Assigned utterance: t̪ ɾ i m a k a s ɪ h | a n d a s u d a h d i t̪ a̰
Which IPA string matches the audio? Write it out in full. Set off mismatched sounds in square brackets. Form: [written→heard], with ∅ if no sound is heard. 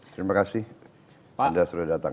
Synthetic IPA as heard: t̪ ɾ i m a k a s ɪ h | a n d a s u d a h d [i→a] t̪ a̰